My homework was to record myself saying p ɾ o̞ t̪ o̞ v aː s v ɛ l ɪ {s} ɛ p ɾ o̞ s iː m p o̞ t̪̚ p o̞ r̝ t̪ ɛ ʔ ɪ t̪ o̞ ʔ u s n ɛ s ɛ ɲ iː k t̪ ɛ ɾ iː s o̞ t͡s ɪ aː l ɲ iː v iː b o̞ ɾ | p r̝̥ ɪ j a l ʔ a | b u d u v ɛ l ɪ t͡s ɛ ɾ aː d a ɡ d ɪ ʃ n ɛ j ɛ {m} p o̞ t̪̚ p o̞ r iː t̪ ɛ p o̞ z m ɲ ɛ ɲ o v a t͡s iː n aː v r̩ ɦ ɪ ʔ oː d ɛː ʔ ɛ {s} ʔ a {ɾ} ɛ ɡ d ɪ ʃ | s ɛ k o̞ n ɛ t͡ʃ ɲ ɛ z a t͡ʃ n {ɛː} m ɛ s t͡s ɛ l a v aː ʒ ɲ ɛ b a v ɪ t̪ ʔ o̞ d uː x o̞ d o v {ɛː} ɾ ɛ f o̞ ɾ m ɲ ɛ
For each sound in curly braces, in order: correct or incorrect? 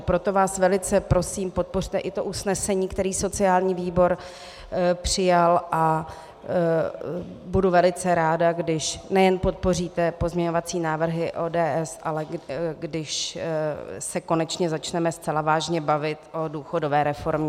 incorrect: t͡s, incorrect: n, correct, incorrect: l, incorrect: ɛ, correct

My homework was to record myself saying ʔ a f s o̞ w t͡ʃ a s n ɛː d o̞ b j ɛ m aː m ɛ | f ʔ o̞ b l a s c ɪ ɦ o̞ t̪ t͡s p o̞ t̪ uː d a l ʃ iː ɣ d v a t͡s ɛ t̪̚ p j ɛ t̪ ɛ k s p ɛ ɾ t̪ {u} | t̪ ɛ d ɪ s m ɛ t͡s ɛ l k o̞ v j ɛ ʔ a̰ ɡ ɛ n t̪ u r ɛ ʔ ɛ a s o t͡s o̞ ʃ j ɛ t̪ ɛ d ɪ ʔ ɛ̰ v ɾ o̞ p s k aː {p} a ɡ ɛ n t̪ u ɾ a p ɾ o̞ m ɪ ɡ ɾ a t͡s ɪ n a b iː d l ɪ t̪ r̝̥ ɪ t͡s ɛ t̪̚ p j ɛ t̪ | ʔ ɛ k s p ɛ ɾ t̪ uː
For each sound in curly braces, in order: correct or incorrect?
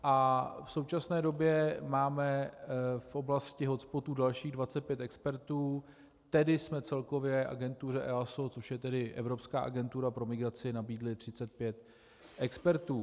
incorrect: uː, incorrect: ʔ

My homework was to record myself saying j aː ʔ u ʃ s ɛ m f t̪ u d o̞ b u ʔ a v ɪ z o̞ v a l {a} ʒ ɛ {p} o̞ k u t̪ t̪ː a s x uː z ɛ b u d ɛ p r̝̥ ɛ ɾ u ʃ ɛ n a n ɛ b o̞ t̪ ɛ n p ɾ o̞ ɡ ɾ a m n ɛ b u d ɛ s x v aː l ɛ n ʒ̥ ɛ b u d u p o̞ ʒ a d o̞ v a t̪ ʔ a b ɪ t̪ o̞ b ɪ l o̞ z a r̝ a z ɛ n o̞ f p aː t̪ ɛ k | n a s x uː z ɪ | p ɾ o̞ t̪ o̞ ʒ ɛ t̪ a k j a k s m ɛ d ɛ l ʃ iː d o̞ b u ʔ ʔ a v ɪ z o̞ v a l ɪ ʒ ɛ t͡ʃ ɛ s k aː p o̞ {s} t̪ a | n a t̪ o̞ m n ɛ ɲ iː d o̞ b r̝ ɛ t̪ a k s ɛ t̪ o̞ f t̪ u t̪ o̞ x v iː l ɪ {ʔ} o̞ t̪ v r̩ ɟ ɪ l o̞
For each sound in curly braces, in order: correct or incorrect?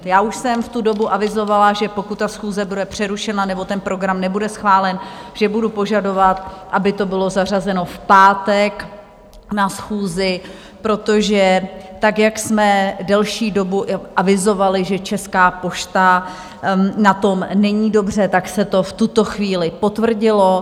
correct, correct, incorrect: ʃ, incorrect: p

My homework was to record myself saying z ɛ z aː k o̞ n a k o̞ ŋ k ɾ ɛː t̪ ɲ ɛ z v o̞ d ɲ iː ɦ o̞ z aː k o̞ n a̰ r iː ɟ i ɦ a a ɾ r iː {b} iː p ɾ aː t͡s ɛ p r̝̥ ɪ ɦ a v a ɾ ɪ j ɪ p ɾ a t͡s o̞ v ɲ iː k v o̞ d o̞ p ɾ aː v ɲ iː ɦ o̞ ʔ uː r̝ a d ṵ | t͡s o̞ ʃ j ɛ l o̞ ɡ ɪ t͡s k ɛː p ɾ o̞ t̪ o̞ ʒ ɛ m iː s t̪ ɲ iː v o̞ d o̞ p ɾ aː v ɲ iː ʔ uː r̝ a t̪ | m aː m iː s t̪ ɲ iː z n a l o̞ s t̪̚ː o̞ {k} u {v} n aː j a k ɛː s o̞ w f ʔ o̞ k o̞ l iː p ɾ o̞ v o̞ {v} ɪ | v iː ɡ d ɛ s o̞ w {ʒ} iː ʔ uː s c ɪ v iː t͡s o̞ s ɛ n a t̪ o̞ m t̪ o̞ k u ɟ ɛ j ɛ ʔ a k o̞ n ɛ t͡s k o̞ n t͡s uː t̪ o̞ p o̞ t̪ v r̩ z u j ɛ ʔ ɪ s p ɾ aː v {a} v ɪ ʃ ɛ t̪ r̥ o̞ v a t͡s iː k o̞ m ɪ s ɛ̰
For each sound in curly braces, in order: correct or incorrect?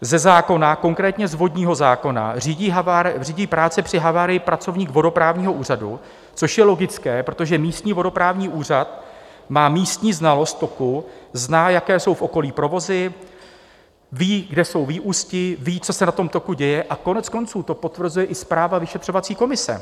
incorrect: ɟ, correct, incorrect: z, incorrect: z, incorrect: v, correct

